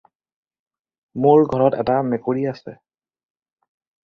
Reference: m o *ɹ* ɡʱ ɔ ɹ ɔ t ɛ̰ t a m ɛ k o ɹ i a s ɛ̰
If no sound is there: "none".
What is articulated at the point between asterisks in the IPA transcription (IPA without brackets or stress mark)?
ɹ